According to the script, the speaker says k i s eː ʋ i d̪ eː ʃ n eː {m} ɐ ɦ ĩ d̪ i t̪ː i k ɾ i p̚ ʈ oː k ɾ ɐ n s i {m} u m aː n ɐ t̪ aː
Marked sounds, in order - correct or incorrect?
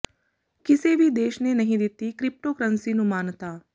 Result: incorrect, incorrect

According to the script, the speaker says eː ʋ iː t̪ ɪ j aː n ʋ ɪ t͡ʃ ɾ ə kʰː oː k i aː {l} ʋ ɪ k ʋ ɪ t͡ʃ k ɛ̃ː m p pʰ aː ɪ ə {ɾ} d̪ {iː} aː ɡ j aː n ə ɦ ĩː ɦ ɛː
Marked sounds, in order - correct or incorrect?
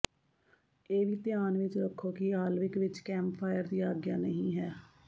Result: correct, correct, correct

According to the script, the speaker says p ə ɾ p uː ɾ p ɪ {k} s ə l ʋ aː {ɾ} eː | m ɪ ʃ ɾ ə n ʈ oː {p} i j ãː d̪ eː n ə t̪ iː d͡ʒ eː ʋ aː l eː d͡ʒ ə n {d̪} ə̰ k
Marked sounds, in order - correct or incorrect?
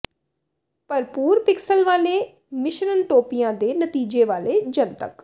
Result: correct, incorrect, correct, incorrect

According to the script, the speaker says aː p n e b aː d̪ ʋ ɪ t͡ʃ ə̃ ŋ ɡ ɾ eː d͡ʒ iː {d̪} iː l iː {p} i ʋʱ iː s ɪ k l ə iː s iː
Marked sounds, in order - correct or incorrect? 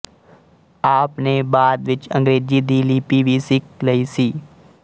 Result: correct, correct

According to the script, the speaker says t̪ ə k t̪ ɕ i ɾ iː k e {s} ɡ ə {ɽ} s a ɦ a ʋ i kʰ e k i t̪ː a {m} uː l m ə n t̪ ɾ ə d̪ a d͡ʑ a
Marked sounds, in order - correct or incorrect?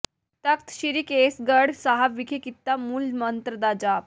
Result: correct, correct, correct

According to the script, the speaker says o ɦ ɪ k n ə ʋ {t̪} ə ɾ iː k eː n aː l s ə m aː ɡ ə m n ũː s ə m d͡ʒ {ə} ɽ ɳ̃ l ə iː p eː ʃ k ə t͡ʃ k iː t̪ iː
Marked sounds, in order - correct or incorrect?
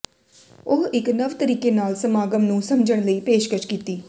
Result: correct, correct

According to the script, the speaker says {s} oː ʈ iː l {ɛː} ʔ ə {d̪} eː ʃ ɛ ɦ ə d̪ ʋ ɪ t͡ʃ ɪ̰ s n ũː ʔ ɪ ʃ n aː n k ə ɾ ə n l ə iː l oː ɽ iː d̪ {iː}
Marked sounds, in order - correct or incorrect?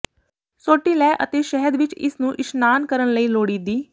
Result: correct, correct, incorrect, correct

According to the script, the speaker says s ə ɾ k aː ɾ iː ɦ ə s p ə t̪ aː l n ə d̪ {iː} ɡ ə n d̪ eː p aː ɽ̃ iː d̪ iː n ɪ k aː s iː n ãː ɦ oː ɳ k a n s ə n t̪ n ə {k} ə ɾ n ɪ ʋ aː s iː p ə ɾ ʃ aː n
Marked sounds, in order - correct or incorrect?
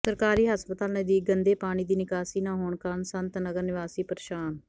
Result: correct, incorrect

